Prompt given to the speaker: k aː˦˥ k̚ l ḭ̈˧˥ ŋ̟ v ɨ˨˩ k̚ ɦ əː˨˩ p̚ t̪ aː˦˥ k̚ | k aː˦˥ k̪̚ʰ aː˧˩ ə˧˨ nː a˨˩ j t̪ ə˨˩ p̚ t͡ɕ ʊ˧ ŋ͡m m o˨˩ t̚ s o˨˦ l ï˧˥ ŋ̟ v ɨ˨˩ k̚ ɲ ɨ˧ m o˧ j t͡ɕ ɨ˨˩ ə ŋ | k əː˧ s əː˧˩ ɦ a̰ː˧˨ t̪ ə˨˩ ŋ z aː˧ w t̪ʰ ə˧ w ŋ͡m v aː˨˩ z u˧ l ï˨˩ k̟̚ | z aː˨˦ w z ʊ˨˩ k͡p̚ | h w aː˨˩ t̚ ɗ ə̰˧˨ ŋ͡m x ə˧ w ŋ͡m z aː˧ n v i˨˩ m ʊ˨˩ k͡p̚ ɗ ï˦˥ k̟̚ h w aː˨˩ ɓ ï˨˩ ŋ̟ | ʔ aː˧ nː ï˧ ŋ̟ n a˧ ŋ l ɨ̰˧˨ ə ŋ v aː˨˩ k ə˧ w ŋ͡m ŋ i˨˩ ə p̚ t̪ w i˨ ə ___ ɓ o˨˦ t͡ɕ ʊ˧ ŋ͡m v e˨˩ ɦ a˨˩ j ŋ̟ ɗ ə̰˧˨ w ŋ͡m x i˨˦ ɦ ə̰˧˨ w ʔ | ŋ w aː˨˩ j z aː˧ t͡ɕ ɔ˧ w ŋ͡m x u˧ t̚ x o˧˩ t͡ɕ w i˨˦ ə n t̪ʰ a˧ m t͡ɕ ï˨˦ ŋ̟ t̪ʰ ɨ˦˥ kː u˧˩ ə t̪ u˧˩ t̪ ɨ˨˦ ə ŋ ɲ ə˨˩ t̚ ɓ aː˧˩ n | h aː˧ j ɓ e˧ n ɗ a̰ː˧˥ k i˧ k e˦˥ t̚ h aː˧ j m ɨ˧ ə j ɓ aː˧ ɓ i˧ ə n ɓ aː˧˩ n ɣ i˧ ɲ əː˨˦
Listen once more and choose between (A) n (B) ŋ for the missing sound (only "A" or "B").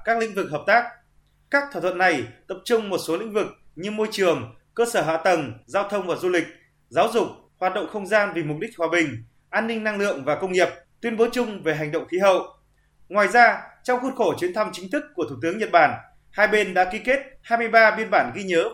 A